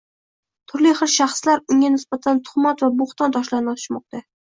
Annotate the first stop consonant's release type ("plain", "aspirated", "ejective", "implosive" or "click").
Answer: aspirated